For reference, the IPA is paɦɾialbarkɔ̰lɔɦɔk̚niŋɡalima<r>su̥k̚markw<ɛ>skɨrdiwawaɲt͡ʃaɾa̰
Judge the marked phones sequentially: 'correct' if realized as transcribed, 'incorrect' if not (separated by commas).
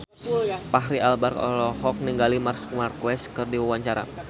correct, correct